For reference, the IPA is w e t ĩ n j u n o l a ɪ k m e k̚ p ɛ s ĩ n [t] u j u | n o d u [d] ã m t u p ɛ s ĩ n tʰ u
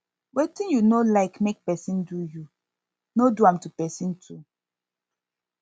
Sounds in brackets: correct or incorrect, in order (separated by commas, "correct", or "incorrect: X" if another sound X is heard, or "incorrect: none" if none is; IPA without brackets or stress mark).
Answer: incorrect: d, incorrect: none